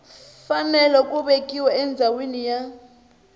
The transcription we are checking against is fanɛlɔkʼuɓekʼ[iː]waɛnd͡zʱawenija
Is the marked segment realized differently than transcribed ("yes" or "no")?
yes